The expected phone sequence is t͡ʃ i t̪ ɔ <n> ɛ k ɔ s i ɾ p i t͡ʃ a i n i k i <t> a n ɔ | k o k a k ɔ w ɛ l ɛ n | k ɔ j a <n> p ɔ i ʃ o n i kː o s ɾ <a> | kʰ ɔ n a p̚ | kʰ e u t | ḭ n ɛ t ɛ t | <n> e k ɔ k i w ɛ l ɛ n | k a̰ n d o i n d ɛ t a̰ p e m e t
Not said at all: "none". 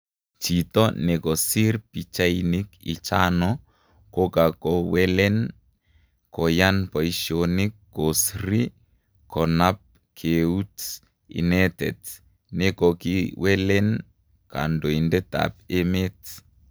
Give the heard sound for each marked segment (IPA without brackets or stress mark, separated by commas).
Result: n, t͡ʃ, n, i, n